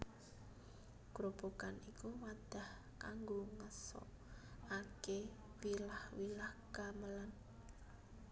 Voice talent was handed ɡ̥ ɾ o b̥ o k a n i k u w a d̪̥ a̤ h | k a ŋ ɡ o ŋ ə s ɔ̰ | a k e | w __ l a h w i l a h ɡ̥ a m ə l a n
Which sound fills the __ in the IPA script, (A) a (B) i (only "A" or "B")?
B